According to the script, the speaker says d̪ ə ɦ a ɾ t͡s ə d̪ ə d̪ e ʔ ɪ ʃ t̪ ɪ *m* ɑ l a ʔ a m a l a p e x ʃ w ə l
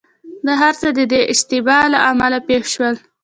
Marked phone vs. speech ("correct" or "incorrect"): incorrect